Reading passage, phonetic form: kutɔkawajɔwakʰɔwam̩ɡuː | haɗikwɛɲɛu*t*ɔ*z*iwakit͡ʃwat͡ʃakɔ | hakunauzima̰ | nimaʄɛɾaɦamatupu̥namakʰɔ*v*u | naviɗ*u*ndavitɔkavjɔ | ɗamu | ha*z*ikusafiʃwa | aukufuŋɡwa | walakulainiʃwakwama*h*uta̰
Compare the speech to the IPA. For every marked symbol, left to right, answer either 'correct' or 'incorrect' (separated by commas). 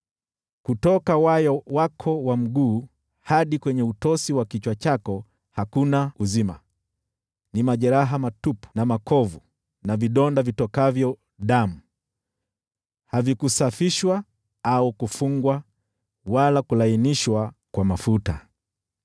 correct, incorrect, correct, incorrect, incorrect, incorrect